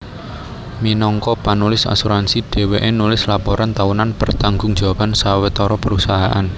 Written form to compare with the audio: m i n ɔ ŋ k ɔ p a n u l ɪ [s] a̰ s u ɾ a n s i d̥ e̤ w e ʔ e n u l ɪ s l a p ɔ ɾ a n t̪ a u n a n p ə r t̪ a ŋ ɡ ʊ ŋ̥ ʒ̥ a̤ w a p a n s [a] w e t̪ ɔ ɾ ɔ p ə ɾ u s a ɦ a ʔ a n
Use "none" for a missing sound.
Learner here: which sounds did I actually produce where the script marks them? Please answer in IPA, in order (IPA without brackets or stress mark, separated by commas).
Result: s, a